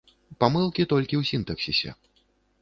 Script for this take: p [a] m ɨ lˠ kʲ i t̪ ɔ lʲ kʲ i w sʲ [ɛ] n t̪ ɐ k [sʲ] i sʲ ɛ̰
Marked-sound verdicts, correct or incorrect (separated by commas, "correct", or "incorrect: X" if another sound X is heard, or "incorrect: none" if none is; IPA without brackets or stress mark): correct, incorrect: i, correct